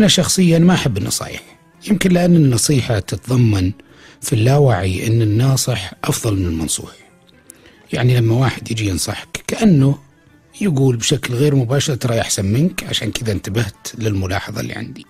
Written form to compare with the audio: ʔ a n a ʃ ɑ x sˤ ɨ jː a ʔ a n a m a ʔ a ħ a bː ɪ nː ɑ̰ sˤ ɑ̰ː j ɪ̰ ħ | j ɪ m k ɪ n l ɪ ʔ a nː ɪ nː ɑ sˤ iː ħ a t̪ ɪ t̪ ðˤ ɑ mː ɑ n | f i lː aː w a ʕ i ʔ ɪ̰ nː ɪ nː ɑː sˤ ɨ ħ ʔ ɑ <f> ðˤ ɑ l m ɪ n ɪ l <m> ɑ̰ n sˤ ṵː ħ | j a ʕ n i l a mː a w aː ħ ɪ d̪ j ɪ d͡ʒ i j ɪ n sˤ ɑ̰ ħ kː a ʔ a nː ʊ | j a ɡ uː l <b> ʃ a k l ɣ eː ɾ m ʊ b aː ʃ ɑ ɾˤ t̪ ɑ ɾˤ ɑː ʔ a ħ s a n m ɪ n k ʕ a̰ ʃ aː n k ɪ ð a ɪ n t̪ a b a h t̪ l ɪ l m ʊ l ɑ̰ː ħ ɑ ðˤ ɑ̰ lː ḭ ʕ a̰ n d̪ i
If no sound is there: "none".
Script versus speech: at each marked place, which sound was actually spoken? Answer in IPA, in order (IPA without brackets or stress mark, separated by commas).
f, m, b